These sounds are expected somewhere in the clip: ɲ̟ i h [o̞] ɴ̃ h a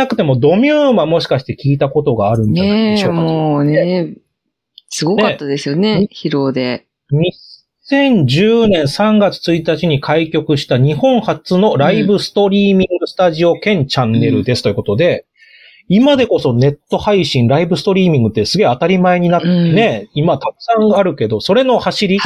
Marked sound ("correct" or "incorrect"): incorrect